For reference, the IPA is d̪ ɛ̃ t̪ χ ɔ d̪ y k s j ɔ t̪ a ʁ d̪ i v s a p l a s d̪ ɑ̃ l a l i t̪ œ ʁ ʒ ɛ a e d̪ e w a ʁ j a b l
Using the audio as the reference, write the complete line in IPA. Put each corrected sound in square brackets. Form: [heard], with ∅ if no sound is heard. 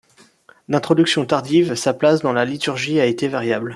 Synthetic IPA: d̪ ɛ̃ t̪ χ ɔ d̪ y k s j [ɔ̃] t̪ a ʁ d̪ i v s a p l a s d̪ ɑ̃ l a l i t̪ [y] ʁ ʒ [i] a e [t̪] e [v] a ʁ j a b l